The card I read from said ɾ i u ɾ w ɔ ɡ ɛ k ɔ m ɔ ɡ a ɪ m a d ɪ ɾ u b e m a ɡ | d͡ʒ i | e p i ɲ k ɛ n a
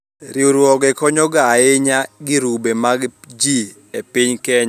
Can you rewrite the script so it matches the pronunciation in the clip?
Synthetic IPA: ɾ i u ɾ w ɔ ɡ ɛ k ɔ ɲ ɔ ɡ a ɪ ɲ a ɡ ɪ ɾ u b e m a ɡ | d͡ʒ i | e p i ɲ k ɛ ɲ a

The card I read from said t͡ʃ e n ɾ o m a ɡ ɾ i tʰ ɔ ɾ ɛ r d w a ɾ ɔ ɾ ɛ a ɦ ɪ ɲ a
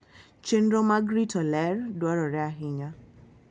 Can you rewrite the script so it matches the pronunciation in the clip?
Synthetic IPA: t͡ʃ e n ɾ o m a ɡ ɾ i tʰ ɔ l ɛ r d w a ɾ ɔ ɾ ɛ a ɦ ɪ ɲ a

